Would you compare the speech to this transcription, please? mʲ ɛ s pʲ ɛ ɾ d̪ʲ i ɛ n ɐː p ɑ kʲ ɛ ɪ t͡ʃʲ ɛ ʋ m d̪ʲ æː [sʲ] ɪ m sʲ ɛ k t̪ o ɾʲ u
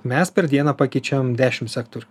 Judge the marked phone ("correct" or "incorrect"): incorrect